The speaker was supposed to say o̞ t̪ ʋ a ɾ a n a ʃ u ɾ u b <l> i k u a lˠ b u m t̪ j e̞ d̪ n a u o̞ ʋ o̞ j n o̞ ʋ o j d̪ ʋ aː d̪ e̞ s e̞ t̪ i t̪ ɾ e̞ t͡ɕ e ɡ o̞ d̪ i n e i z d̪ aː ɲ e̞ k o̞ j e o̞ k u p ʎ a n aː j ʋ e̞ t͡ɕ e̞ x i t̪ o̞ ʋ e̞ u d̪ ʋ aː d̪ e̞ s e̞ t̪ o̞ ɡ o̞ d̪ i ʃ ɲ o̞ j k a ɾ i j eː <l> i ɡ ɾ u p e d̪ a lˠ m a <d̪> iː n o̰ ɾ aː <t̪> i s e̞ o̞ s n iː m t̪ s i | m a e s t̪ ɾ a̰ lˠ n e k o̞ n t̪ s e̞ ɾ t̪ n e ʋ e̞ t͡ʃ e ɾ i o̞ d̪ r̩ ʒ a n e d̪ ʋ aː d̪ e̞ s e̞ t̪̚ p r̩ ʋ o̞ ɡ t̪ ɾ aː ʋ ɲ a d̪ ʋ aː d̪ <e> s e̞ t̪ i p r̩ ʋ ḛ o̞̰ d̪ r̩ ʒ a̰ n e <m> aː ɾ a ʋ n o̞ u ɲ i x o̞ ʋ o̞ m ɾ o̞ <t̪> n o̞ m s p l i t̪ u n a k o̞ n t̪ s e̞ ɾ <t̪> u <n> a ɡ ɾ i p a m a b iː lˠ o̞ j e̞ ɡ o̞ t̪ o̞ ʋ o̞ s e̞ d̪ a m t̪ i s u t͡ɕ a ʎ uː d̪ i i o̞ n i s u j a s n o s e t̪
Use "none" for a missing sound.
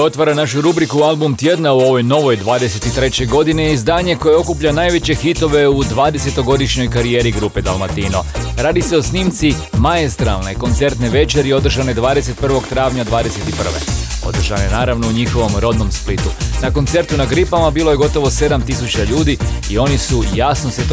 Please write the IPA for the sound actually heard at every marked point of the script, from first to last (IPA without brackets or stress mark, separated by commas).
ɾ, ɾ, t̪, d̪, e, n, d̪, t̪, n